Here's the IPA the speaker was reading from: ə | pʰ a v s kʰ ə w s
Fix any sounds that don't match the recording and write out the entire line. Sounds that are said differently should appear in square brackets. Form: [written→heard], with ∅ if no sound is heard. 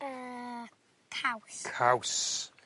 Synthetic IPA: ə | [pʰ→kʰ] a [v→w] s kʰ [ə→a] w s